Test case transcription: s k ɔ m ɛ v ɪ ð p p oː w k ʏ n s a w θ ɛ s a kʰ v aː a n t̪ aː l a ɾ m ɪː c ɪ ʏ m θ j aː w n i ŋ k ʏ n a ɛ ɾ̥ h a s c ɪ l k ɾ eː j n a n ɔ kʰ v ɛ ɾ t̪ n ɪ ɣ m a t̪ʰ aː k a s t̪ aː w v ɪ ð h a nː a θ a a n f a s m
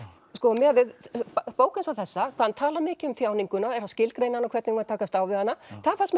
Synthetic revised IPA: s k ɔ m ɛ v ɪ ð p p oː w k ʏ n s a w θ ɛ sː a kʰ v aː a n t̪ʰ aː l a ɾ m ɪː c ɪ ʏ m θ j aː w n i ŋ k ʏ n a ɛ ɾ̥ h a s c ɪ l k ɾ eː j n a n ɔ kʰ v ɛ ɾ t̪ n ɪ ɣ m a t̪ʰ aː k a s t̪ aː w v ɪ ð h a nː a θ a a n f a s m